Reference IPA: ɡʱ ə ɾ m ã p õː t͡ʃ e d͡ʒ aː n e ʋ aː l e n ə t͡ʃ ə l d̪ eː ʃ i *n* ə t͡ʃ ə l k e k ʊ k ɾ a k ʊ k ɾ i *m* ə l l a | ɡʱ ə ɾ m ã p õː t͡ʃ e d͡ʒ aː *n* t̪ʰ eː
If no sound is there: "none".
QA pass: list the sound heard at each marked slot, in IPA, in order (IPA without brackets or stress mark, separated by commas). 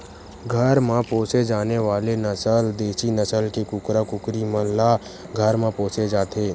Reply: n, m, none